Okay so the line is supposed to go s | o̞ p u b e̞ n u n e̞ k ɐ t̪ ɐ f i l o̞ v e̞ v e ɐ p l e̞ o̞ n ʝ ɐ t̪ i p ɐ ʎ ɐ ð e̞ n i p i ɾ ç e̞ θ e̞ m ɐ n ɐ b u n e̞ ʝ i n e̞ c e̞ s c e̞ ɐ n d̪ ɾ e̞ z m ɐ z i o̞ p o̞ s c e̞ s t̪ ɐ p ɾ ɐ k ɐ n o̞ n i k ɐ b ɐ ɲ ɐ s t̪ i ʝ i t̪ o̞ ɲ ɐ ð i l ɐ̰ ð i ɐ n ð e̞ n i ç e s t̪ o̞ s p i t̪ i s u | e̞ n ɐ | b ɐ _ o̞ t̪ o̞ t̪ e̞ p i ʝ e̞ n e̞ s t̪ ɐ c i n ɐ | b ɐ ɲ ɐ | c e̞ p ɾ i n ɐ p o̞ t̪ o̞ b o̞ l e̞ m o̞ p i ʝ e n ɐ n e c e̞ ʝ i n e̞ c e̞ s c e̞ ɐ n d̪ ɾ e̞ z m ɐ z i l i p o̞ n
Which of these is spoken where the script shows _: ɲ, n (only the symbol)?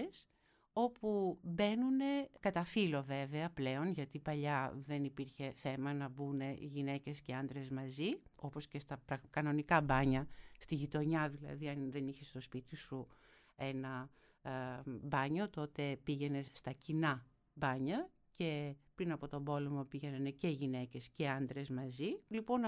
ɲ